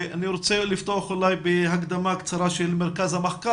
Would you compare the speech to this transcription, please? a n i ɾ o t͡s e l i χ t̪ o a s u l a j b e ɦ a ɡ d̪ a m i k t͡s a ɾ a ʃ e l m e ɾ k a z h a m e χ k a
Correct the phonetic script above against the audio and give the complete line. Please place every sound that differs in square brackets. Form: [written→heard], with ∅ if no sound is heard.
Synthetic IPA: a n i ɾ o t͡s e l i [χ→f] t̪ o a [s→χ] u l a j b e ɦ a ɡ d̪ a m [i→a] k t͡s a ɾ a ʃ e l m e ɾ k a z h a m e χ k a